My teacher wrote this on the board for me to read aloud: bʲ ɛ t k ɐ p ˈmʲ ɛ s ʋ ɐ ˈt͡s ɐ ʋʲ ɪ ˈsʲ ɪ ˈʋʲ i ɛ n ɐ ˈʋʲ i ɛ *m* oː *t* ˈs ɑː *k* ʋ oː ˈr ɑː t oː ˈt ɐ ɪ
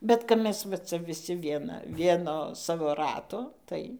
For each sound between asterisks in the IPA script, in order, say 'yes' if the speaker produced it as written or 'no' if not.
no, no, no

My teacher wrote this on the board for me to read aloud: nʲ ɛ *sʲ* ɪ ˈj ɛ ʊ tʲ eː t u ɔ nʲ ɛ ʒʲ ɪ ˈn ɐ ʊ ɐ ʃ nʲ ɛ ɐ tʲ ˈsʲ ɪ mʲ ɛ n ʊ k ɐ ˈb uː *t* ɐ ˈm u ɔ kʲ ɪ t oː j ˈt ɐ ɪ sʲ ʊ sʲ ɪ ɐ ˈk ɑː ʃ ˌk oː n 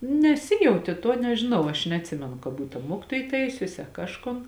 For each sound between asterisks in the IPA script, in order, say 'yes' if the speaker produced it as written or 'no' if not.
yes, yes

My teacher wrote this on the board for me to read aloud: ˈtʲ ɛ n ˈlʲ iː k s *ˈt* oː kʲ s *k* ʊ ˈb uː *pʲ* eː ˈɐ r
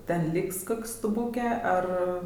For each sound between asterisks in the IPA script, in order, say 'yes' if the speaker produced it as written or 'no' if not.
no, no, no

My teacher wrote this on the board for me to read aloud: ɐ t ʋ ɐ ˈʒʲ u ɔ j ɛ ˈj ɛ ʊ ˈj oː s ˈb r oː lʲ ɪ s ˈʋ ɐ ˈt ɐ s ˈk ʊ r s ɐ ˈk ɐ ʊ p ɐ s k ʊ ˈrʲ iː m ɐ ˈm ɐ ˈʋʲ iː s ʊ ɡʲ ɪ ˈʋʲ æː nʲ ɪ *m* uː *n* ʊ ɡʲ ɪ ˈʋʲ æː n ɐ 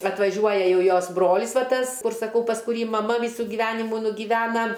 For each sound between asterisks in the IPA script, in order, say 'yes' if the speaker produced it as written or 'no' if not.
yes, yes

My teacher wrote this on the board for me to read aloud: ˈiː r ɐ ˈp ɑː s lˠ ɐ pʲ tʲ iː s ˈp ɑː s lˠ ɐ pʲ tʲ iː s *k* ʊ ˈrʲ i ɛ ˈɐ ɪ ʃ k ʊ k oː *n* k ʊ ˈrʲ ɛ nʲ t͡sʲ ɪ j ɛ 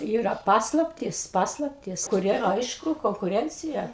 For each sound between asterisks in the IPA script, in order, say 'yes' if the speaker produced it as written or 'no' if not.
yes, no

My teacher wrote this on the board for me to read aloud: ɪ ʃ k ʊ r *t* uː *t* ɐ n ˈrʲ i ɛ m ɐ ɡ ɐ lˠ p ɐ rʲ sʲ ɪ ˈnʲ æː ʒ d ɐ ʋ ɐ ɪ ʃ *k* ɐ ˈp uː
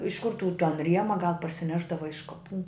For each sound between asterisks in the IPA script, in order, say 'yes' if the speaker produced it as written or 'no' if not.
yes, yes, yes

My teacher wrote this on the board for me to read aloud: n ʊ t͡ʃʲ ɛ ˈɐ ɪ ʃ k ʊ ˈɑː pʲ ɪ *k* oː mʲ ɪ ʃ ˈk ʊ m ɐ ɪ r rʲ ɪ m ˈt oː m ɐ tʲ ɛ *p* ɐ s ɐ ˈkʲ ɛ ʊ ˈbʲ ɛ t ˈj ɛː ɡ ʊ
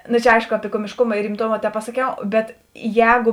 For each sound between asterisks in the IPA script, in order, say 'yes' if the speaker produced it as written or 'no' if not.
yes, yes

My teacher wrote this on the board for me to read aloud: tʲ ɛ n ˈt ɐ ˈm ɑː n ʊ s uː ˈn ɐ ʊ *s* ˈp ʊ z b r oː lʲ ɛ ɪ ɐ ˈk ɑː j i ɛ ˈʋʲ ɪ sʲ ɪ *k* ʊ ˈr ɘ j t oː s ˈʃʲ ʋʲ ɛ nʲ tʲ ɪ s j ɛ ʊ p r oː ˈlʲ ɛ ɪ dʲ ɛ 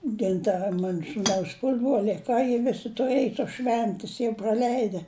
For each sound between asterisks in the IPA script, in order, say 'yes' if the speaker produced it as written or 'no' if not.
yes, no

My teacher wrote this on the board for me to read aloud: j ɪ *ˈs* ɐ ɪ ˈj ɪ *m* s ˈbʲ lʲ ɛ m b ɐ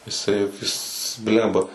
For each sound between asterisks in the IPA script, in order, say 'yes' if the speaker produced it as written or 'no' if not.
yes, no

